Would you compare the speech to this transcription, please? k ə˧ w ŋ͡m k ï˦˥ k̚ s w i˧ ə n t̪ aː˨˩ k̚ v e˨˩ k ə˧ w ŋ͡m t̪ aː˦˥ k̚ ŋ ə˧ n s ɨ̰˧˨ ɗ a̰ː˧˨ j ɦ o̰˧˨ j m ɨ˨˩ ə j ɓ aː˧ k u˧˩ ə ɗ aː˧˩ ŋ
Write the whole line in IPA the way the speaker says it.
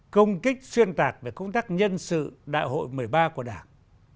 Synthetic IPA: k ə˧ w ŋ͡m k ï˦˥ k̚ s w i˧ ə n t̪ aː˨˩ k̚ v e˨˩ k ə˧ w ŋ͡m t̪ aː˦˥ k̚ ɲ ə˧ n s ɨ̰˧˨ ɗ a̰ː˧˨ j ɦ o̰˧˨ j m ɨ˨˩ ə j ɓ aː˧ k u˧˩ ə ɗ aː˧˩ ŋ